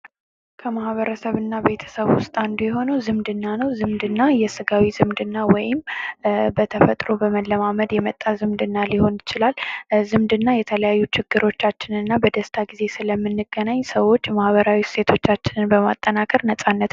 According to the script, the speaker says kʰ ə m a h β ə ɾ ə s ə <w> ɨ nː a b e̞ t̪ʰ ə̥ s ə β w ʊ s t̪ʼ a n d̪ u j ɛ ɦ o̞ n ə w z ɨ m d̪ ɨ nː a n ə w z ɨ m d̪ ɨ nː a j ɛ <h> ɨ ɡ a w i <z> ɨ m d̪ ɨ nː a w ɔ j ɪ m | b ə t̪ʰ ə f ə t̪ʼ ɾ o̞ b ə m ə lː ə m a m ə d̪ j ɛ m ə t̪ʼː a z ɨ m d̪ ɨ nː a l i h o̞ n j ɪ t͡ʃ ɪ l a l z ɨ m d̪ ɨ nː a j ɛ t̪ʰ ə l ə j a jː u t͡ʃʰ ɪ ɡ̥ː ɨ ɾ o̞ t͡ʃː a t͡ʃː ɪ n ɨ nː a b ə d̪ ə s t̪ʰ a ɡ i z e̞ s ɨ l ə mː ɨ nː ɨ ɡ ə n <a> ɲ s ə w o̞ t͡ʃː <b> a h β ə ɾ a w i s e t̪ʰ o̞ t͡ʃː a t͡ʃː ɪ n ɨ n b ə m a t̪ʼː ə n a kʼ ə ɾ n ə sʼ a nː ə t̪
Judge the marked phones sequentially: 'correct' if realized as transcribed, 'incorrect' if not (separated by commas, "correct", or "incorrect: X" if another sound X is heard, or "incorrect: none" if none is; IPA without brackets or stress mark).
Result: incorrect: β, incorrect: s, correct, correct, incorrect: m